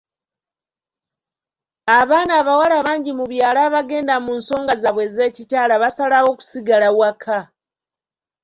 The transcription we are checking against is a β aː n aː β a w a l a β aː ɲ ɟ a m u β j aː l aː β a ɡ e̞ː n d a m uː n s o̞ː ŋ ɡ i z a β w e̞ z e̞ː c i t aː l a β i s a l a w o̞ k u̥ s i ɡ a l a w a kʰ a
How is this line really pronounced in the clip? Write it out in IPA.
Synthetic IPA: a β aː n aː β a w a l a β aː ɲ ɟ i m u β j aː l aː β a ɡ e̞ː n d a m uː n s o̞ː ŋ ɡ a z a β w e̞ z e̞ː c i t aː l a β a s a l a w o̞ k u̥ s i ɡ a l a w a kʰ a